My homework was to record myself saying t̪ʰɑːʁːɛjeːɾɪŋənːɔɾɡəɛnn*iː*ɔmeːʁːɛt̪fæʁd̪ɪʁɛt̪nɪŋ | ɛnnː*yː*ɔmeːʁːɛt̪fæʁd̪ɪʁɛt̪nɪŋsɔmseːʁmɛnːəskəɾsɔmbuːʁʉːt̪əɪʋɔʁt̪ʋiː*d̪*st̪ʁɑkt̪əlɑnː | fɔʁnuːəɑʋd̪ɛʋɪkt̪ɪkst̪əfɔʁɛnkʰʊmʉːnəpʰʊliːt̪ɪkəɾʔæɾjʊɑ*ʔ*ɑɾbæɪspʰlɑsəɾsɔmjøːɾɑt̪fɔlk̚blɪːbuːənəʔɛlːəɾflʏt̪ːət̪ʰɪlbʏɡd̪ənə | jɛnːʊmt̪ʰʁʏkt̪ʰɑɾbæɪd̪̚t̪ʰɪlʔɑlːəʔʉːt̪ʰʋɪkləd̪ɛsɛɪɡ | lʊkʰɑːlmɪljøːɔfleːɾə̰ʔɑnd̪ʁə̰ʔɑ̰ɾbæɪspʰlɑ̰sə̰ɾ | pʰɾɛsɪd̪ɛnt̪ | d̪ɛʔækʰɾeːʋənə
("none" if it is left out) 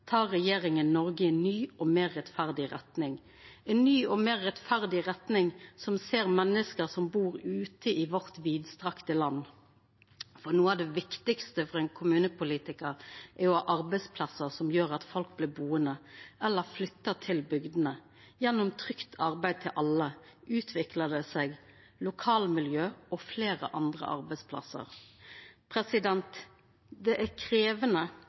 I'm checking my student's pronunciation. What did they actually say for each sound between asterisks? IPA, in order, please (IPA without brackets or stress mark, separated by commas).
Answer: yː, yː, d̪, ʔ